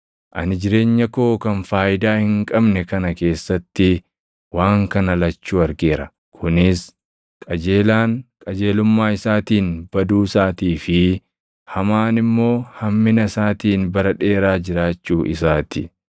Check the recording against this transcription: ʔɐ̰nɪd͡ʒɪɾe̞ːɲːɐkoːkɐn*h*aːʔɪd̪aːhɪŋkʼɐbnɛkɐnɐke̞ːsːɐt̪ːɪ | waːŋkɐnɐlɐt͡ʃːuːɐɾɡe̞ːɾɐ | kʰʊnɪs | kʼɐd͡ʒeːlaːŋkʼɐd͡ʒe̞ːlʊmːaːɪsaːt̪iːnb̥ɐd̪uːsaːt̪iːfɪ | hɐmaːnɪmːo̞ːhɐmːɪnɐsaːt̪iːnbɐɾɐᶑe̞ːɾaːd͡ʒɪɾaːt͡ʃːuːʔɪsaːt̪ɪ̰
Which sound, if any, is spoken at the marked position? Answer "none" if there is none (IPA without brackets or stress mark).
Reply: f